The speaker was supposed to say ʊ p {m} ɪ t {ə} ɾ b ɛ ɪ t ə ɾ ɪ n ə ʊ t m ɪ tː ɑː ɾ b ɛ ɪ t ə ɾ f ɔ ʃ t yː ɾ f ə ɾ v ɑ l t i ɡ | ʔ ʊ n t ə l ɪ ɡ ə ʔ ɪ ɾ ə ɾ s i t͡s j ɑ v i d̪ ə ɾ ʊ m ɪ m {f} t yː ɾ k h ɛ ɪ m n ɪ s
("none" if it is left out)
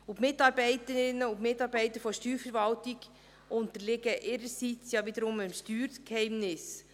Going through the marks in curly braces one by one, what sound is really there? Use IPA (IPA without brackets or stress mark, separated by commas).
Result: m, ɑ, ʃ